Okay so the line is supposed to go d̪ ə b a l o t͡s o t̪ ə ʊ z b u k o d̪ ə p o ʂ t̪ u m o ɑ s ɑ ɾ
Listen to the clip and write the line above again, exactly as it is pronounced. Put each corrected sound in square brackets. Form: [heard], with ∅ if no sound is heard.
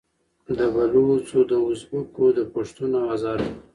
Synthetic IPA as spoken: d̪ ə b a l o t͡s o [d̪] ə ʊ z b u k o d̪ ə p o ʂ t̪ u [n] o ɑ [z] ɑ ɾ